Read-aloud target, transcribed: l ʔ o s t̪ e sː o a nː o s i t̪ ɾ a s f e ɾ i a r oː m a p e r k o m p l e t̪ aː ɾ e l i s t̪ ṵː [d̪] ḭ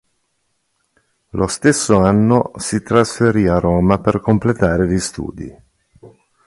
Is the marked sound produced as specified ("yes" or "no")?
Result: yes